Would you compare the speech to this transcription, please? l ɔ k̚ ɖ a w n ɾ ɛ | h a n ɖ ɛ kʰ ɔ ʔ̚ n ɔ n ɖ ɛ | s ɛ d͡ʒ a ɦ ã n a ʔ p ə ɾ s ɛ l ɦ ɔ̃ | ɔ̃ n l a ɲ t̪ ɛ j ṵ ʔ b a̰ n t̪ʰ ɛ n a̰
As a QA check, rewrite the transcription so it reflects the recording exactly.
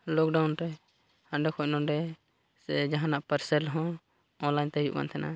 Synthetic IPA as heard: l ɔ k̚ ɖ a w n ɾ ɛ | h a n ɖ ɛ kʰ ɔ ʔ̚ n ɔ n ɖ ɛ | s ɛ d͡ʒ a ɦ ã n a ʔ p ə ɾ s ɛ l ɦ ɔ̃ | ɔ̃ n l a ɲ t̪ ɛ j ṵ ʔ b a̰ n t̪ʰ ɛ n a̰